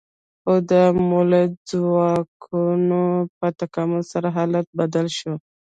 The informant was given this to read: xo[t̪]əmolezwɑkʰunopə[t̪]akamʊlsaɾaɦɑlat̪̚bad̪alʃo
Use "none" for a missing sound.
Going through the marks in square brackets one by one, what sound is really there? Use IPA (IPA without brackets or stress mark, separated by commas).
d̪, t̪